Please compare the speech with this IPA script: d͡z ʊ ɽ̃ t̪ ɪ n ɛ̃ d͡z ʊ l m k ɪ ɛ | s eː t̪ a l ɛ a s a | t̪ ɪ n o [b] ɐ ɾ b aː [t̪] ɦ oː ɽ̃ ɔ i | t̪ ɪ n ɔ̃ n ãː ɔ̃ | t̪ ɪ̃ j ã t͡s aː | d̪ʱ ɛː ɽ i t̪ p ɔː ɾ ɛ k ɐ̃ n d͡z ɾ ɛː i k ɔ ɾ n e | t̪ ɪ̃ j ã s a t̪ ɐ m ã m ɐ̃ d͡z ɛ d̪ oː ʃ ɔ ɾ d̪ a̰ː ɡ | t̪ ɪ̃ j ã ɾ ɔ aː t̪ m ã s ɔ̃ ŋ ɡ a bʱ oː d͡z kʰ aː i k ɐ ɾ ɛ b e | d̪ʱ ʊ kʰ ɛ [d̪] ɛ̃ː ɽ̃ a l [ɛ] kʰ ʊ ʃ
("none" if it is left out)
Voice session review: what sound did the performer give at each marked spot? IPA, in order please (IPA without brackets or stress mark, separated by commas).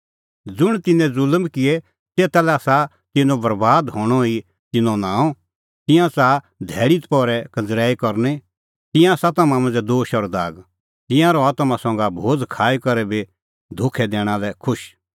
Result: b, d̪, d̪, ɛ